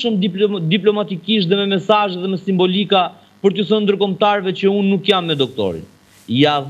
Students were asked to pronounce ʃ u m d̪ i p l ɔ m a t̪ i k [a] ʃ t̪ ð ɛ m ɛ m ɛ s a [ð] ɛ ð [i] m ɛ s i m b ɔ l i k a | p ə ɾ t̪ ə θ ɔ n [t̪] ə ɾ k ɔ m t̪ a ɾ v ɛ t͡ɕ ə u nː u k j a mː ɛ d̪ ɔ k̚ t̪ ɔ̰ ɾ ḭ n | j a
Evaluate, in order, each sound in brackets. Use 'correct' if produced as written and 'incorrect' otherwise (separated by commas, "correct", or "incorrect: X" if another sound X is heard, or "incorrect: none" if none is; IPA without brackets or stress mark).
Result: incorrect: i, incorrect: ʒ, incorrect: ɛ, incorrect: d̪